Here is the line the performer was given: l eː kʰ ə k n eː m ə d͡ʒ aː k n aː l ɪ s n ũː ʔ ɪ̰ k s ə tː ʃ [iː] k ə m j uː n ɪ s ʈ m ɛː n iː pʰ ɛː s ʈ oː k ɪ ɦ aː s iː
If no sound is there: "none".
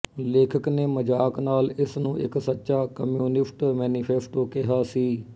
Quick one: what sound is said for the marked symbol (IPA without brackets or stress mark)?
aː